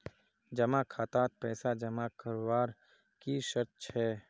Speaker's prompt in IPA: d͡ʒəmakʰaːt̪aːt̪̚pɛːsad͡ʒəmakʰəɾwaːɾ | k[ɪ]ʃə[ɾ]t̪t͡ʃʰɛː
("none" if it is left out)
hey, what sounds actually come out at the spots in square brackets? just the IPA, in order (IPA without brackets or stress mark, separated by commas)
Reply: i, ɾ